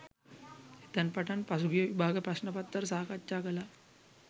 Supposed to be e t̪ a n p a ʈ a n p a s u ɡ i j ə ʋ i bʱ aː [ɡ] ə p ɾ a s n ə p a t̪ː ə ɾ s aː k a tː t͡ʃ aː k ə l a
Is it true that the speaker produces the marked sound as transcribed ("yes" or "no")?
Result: yes